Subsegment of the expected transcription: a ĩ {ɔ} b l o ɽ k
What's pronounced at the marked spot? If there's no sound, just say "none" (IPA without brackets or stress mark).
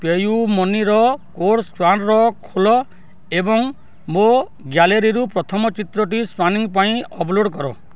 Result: ɔ